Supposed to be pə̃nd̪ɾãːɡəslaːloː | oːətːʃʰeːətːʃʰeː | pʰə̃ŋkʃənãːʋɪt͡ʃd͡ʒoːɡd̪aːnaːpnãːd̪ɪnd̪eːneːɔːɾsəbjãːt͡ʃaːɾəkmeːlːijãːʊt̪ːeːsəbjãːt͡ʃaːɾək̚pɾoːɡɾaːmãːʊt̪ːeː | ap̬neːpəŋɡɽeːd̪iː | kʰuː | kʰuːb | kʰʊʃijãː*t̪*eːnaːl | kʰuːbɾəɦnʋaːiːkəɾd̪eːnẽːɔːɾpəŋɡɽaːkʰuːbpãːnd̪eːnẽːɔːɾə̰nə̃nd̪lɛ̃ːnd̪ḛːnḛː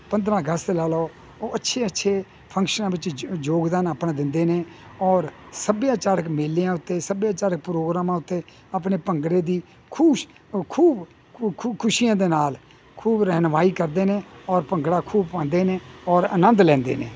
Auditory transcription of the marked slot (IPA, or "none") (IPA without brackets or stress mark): d̪